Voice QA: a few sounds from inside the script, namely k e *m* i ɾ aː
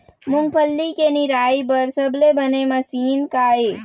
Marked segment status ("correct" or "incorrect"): incorrect